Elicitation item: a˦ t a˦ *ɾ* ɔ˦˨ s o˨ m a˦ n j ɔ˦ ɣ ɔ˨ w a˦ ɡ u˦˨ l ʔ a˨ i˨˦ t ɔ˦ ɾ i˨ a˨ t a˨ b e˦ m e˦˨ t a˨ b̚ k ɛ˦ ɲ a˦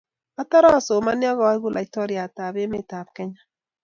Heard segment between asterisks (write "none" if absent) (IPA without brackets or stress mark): ɾ